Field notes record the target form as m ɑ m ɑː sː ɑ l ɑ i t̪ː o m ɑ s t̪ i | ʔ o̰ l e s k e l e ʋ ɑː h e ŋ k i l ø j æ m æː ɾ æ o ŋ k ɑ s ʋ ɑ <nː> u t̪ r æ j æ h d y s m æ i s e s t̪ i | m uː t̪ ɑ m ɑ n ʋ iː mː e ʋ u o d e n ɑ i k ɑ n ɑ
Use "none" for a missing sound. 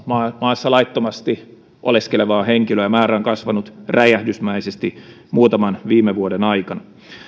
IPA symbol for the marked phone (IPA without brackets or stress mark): n